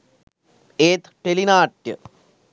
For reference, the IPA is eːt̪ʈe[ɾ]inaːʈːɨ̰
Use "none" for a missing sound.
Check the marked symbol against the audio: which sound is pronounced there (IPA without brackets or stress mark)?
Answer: l